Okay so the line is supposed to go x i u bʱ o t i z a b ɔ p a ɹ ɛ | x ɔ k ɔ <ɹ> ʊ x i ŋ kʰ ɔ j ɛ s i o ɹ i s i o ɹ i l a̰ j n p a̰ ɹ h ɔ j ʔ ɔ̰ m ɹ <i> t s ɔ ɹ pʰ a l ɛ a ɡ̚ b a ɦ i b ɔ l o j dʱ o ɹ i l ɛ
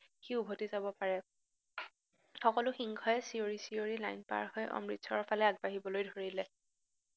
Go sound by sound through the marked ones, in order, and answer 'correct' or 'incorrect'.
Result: incorrect: l, correct

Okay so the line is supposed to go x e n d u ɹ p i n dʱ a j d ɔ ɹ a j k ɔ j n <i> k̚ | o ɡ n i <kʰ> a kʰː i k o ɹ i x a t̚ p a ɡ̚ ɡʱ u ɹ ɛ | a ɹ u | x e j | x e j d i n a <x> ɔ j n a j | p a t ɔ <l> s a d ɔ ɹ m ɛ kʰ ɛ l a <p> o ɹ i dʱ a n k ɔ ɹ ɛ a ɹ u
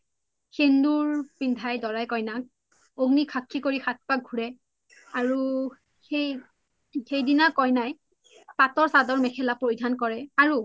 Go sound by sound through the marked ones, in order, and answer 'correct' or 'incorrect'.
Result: incorrect: a, correct, incorrect: k, incorrect: ɹ, correct

